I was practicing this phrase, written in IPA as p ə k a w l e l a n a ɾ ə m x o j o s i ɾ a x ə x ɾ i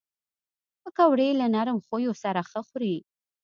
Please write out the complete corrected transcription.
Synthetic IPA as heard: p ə k a w ɽ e l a n a ɾ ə m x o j o s a ɾ a x ə x ɾ i